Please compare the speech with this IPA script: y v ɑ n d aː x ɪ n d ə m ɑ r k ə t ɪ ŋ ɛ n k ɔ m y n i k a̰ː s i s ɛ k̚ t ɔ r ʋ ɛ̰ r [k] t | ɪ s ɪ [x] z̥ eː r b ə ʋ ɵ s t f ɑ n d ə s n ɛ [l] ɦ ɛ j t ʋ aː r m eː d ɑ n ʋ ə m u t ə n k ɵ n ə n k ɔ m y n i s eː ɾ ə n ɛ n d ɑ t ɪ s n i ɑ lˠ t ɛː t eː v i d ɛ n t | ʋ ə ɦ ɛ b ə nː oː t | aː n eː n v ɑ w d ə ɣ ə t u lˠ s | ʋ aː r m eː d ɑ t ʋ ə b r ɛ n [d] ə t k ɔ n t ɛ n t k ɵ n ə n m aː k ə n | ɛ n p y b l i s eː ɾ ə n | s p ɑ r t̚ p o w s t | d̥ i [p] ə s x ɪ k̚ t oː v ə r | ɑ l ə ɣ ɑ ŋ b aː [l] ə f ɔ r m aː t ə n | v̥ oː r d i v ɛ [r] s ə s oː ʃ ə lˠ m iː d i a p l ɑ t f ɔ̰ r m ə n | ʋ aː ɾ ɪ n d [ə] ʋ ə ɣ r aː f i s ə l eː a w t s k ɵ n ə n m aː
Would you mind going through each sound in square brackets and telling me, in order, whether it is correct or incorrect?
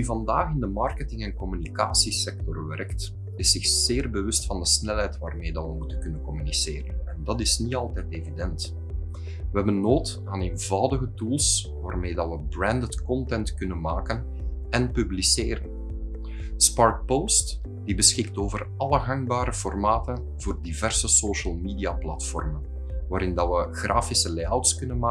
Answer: correct, correct, correct, correct, incorrect, incorrect, correct, incorrect

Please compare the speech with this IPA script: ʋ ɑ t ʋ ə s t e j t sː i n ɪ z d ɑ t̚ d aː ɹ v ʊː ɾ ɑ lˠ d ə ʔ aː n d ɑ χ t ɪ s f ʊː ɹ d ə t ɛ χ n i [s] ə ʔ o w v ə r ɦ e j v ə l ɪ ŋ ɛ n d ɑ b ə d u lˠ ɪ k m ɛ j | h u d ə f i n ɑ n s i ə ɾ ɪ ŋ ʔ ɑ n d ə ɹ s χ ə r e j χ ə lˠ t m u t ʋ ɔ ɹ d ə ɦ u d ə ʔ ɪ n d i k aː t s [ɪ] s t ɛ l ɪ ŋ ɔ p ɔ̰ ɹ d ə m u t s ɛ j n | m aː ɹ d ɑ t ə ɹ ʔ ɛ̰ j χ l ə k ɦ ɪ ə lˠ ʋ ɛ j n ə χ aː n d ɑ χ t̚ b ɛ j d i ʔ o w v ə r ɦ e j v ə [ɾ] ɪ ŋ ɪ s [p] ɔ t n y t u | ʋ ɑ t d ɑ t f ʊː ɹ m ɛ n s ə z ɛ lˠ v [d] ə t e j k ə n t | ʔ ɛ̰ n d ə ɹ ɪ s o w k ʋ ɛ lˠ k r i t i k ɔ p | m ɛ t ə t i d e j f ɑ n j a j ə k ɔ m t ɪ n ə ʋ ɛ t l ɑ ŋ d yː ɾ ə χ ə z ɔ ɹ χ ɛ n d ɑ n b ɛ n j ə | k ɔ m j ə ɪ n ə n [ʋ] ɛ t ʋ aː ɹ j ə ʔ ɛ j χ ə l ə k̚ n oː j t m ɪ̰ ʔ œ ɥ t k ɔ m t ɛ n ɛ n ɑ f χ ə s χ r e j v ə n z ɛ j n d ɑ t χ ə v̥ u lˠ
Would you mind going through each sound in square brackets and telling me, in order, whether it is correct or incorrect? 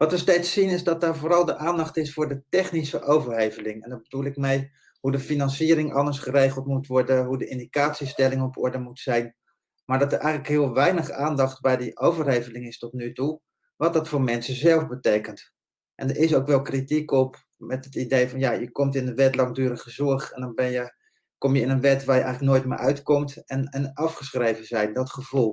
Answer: correct, incorrect, incorrect, incorrect, incorrect, correct

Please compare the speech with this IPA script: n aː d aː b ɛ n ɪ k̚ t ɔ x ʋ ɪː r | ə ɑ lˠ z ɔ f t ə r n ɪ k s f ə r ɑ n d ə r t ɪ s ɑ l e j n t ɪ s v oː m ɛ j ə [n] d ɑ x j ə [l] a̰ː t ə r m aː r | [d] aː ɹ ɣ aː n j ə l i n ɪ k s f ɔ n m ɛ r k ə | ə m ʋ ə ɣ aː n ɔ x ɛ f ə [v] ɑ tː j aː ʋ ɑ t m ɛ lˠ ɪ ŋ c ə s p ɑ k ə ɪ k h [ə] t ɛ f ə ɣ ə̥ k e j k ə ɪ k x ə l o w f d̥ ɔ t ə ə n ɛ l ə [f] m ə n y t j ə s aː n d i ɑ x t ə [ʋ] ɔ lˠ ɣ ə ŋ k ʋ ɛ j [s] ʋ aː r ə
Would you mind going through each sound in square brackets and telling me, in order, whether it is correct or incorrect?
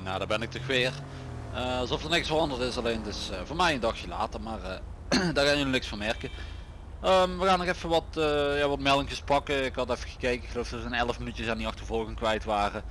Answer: correct, correct, correct, incorrect, incorrect, correct, incorrect, incorrect

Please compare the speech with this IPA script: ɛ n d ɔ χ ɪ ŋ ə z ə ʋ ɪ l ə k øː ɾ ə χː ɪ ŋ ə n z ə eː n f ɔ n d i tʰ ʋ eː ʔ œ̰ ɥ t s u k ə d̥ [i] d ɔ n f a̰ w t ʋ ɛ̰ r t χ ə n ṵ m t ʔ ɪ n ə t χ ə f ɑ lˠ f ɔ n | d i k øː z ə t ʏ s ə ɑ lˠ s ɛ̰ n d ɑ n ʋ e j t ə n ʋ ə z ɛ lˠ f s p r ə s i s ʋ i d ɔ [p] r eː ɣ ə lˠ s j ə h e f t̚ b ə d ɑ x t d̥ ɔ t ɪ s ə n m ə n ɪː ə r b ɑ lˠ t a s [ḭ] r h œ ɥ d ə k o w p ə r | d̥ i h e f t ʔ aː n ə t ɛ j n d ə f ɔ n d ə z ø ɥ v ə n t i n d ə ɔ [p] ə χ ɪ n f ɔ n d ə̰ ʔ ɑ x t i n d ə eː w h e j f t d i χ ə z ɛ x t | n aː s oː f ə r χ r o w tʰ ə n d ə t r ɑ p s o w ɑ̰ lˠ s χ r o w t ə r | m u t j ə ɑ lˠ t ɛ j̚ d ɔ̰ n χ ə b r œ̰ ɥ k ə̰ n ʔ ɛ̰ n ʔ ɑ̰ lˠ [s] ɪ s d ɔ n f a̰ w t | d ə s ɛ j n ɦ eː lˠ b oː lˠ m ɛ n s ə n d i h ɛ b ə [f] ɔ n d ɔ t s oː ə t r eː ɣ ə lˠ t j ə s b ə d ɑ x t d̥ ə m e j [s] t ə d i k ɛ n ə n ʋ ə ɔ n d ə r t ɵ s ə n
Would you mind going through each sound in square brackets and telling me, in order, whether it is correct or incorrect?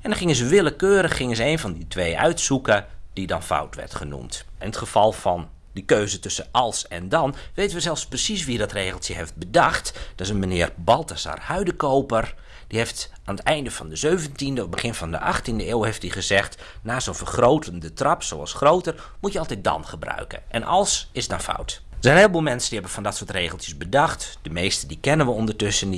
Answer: correct, incorrect, incorrect, incorrect, correct, correct, correct

